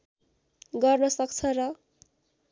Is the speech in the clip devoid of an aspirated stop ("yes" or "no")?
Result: no